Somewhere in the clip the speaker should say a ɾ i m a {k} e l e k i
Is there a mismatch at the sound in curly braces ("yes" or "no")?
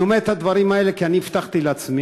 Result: yes